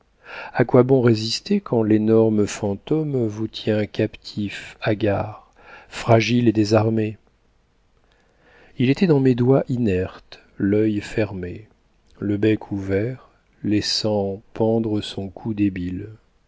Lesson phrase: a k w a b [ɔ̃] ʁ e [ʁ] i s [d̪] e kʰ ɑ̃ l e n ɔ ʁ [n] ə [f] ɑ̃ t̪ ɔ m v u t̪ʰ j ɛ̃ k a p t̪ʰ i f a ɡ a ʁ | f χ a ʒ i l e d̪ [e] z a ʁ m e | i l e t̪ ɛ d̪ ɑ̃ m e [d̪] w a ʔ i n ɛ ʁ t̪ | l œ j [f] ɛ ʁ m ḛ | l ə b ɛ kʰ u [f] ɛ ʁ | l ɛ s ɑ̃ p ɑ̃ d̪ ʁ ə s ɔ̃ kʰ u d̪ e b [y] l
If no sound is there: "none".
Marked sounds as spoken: ɔ̃, z, t̪, m, f, e, d̪, f, v, i

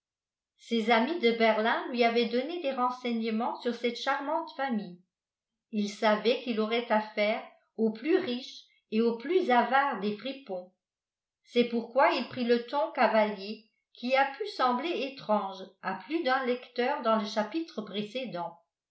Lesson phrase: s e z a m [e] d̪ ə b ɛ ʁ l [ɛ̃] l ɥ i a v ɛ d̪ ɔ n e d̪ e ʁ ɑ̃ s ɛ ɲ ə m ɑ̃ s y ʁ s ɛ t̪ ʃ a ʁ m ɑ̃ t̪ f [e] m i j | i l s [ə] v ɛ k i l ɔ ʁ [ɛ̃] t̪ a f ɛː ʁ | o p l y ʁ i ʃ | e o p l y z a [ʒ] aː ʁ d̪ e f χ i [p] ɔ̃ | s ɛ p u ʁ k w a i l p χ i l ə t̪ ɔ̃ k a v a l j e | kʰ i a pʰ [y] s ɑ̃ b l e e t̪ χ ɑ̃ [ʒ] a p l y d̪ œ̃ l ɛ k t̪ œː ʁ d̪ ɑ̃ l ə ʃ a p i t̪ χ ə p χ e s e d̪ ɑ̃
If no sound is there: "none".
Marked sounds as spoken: i, ɛ̃, a, a, ɛ, v, p, y, ʒ

